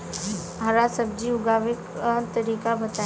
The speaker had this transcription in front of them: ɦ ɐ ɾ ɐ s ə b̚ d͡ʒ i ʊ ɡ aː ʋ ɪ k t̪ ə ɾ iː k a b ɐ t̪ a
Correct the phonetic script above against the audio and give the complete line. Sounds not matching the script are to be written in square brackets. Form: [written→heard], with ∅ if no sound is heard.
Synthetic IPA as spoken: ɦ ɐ ɾ [ɐ→a] s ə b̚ d͡ʒ i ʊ ɡ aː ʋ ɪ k t̪ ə ɾ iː k a b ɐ t̪ a